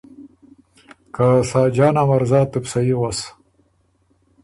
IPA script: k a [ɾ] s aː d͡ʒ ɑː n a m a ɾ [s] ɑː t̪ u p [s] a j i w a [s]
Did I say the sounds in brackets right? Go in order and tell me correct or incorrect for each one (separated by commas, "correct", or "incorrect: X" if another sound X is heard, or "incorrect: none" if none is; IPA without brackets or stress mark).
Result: incorrect: none, incorrect: z, correct, correct